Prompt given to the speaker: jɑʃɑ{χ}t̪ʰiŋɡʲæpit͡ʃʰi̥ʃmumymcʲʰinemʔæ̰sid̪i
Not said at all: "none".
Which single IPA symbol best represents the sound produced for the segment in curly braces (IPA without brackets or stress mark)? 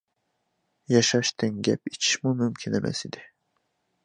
ʃ